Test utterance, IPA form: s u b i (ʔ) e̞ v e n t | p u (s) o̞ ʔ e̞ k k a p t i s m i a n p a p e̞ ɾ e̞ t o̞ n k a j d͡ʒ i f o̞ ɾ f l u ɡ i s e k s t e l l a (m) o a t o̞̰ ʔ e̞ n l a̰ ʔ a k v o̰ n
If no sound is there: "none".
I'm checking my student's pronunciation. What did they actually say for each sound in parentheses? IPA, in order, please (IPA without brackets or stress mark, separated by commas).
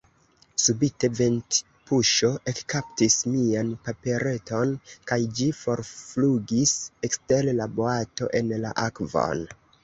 t, ʃ, b